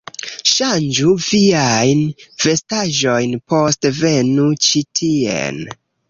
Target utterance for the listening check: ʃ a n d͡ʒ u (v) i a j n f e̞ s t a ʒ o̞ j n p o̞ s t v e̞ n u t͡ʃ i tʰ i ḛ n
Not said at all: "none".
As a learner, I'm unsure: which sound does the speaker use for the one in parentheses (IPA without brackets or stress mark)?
v